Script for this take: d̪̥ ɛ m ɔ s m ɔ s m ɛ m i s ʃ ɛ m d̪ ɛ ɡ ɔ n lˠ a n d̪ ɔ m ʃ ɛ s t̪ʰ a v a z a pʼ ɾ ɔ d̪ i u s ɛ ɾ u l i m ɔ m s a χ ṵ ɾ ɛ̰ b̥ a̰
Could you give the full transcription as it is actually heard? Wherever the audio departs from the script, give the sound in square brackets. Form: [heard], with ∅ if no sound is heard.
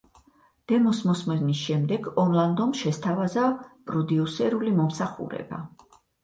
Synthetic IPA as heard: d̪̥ ɛ m ɔ s m ɔ s m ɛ [n] i s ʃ ɛ m d̪ ɛ ɡ ɔ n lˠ a n d̪ ɔ m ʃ ɛ s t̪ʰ a v a z a pʼ ɾ ɔ d̪ i u s ɛ ɾ u l i m ɔ m s a χ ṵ ɾ ɛ̰ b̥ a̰